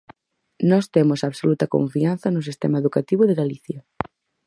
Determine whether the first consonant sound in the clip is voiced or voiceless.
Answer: voiced